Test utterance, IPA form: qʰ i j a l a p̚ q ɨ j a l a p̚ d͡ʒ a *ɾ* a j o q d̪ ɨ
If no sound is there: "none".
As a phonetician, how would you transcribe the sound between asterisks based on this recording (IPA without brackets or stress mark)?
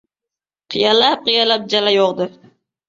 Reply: l